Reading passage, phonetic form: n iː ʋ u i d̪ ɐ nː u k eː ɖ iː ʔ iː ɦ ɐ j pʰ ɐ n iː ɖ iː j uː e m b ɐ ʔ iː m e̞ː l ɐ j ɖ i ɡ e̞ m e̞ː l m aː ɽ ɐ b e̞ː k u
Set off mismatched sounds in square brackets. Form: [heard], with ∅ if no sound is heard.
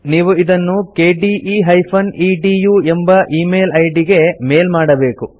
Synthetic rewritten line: n iː ʋ u i d̪ ɐ nː u k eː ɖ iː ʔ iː ɦ ɐ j pʰ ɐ n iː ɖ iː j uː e m b ɐ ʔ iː m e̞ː l ɐ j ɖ i ɡ e̞ m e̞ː l m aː ɽ ɐ b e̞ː k u